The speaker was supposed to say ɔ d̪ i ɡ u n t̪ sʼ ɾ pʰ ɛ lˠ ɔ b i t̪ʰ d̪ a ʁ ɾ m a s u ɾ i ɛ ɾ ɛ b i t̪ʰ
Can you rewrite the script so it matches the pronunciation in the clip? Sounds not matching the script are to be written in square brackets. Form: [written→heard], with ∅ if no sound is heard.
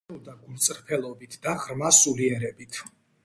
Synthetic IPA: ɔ d̪ [i→a] ɡ u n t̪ sʼ ɾ pʰ ɛ lˠ ɔ b i t̪ʰ d̪ a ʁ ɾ m a s u [ɾ→l] i ɛ ɾ ɛ b i t̪ʰ